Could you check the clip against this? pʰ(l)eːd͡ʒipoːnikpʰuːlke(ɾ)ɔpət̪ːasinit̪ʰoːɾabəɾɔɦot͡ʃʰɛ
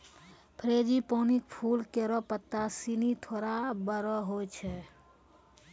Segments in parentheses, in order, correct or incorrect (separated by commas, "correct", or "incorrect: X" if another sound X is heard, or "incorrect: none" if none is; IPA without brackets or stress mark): incorrect: ɾ, correct